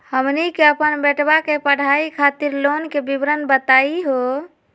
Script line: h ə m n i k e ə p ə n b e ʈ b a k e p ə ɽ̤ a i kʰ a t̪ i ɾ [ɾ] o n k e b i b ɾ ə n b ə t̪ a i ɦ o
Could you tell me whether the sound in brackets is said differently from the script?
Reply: yes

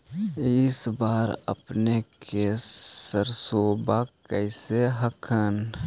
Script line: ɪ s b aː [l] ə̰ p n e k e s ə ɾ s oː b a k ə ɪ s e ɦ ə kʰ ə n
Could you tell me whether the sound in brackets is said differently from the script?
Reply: yes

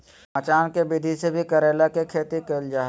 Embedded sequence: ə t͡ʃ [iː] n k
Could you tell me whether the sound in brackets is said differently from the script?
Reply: yes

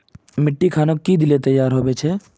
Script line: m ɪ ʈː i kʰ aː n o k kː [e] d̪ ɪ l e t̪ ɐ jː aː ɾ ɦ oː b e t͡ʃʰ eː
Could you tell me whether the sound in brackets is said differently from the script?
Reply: yes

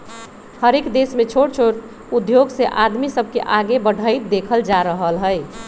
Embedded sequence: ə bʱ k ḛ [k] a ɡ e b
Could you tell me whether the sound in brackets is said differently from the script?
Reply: yes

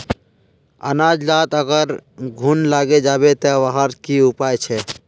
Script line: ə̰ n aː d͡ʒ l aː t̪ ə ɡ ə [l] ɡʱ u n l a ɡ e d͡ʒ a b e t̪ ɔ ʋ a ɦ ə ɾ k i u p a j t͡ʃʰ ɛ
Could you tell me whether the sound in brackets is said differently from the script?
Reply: yes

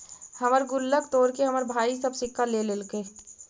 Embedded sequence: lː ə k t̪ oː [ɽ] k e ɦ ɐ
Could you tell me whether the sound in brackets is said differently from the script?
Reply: yes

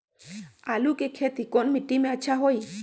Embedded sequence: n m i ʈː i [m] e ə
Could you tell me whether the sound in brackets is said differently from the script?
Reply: no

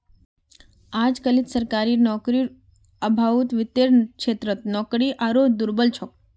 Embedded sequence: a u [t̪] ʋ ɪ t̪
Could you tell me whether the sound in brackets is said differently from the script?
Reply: no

